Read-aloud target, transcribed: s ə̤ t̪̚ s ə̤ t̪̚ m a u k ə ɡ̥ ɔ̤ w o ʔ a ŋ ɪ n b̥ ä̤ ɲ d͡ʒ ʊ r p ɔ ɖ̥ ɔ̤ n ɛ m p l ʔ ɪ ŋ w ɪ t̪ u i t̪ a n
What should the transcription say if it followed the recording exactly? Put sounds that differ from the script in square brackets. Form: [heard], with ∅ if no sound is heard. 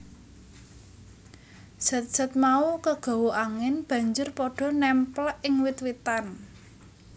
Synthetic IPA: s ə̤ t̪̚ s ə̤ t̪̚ m a u k ə ɡ̥ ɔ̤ w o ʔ a ŋ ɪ n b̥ ä̤ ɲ d͡ʒ ʊ r p ɔ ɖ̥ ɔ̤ n ɛ m p l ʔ ɪ ŋ w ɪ t̪ [w] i t̪ a n